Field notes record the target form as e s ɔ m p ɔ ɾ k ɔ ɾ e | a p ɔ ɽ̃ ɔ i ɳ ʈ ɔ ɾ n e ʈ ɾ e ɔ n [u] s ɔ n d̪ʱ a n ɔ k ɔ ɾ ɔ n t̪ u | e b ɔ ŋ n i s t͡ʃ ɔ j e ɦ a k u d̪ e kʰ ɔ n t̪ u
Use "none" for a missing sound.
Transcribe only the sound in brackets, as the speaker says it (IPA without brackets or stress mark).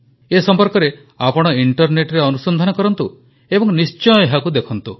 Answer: u